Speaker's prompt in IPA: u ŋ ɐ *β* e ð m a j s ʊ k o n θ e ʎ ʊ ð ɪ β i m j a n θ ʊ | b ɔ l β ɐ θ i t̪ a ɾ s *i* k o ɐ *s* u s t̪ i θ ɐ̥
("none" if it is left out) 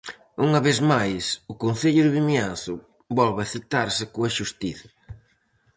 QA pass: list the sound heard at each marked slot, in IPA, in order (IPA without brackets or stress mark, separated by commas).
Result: β, ɪ, ʃ